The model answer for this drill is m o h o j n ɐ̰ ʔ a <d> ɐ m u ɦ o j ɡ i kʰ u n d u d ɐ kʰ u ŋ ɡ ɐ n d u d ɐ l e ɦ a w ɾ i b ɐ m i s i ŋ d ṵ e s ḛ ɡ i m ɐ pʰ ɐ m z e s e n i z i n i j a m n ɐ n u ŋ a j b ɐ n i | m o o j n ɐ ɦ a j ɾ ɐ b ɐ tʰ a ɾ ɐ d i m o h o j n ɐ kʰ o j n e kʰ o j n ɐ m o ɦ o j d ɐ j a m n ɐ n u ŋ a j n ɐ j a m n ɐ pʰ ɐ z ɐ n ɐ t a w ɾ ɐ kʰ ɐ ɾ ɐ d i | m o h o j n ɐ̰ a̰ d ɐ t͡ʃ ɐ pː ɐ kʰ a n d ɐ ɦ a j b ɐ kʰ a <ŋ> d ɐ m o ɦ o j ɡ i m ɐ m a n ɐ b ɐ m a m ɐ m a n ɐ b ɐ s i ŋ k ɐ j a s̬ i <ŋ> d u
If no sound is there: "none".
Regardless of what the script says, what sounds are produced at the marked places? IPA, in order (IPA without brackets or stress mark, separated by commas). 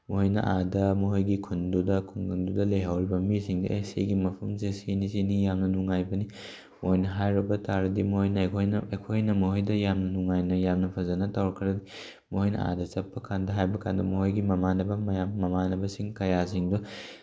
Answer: d, n, ŋ